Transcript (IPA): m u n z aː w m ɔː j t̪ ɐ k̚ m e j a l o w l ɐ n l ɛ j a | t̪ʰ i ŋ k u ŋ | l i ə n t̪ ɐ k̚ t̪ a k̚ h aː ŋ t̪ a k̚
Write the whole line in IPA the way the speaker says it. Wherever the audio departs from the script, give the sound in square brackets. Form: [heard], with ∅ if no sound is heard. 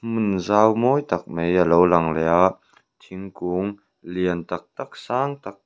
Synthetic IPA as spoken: m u n z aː w m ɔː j t̪ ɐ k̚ m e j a l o w l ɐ [ŋ] l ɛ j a | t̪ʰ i ŋ k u ŋ | l i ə n t̪ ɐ k̚ t̪ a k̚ [s] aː ŋ t̪ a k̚

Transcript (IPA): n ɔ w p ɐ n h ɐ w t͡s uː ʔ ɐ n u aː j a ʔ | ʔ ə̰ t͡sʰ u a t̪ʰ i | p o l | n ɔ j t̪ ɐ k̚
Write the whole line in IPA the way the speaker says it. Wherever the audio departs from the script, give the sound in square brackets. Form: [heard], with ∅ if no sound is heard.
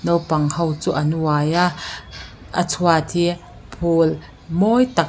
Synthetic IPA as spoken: n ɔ w p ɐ [ŋ] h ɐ w t͡s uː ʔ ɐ n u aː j a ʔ | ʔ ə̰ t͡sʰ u a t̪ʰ i | [pʰ] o l | [m] ɔ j t̪ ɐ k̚

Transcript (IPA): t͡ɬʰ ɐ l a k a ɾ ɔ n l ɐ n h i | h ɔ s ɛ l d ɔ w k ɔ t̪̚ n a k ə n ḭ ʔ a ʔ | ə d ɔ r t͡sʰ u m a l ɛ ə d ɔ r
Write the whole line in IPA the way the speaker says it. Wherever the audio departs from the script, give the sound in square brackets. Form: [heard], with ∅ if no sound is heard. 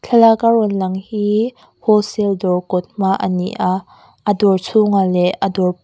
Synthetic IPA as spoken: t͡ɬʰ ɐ l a k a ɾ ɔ n l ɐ [ŋ] h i | h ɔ s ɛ l d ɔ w k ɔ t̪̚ [m] a [ʔ] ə n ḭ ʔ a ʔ | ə d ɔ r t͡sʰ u [ŋ] a l ɛ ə d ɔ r

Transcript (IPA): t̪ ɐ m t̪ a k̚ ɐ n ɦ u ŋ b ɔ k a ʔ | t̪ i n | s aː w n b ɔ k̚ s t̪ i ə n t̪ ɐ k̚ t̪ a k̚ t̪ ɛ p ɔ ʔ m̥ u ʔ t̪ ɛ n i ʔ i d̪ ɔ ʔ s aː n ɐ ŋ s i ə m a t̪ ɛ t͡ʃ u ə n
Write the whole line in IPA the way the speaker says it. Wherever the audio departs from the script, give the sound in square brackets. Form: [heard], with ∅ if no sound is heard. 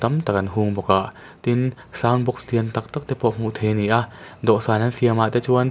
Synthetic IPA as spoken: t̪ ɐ m t̪ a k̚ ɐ n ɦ u ŋ b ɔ k a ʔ | t̪ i n | s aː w n b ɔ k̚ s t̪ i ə n t̪ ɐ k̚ t̪ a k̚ t̪ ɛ p ɔ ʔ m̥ u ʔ [t̪ʰ] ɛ n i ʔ [a] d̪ ɔ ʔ s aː n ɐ [n] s i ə m a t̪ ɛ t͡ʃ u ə n

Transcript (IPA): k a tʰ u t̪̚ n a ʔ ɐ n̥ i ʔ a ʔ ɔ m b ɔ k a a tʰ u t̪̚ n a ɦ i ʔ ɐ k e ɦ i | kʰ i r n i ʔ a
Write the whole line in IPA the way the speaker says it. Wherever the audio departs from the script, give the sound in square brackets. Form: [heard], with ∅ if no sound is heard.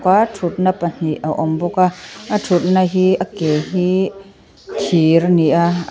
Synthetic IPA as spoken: k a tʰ u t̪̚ n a [p] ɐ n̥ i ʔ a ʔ ɔ m b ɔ k a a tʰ u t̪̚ n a ɦ i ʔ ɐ k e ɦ i | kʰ i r n i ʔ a

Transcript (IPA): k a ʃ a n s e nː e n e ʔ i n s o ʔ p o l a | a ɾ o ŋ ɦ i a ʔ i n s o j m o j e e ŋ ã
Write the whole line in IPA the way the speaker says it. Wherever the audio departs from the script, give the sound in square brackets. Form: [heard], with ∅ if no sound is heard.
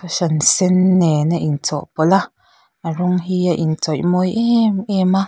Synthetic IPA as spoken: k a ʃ a n s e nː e n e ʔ i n [t͡s] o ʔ p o l a | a ɾ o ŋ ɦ i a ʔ i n [t͡s] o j m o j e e [m] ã

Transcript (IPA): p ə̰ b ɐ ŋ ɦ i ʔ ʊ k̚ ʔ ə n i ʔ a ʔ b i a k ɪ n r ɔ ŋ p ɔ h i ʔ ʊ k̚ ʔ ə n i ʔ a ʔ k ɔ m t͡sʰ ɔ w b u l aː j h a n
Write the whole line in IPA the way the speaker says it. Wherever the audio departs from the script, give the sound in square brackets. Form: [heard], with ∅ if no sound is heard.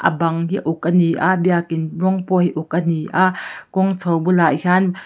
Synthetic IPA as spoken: [ʔ] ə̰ b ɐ ŋ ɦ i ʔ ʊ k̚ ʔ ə n i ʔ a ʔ b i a k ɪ n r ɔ ŋ p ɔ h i ʔ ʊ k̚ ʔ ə n i ʔ a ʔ k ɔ [ŋ] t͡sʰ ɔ w b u l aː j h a n

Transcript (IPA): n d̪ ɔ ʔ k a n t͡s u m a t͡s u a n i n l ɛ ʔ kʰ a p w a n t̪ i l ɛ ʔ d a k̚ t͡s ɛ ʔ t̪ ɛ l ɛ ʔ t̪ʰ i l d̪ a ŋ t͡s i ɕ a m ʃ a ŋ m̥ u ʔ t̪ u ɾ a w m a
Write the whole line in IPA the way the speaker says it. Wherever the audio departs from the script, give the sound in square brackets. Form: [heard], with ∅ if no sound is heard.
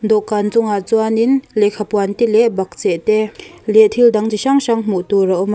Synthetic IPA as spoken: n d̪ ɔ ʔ k a n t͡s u [ŋ] a t͡s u a n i n l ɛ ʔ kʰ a p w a n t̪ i l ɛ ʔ [b] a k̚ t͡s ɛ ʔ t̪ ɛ l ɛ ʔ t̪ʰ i l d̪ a ŋ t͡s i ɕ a [ŋ] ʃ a ŋ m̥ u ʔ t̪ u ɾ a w m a

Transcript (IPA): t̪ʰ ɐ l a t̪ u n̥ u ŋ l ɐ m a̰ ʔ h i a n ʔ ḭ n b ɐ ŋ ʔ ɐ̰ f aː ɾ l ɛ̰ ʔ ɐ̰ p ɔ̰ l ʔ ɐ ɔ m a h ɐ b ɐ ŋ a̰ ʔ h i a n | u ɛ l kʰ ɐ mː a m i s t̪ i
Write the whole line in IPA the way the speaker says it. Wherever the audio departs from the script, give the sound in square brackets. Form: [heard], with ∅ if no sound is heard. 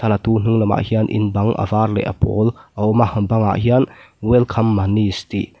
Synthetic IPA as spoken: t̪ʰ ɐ l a t̪ u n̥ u ŋ l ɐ m a̰ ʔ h i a n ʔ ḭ n b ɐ ŋ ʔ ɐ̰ [v] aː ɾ l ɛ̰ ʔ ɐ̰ p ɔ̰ l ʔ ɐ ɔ m a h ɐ b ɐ ŋ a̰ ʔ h i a n | [w] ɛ l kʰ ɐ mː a [n] i s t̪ i

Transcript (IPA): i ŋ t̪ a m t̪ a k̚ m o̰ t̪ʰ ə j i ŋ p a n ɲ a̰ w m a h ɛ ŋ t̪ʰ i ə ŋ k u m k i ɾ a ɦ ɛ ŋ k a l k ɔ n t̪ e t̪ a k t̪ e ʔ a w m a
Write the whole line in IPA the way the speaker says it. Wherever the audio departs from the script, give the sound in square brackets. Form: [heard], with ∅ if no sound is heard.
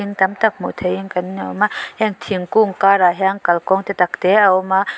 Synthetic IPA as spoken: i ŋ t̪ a m t̪ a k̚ m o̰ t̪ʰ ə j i ŋ [k] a n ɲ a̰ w m a h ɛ ŋ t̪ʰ i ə ŋ k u [ŋ] k [a] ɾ a ɦ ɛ ŋ k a l k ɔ [ŋ] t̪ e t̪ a k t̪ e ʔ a w m a

